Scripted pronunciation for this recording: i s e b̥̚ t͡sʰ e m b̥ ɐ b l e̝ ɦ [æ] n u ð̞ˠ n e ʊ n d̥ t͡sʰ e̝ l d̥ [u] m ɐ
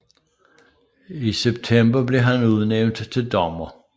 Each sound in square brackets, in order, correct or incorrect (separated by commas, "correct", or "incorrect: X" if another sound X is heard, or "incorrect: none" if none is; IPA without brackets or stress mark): correct, incorrect: ɒ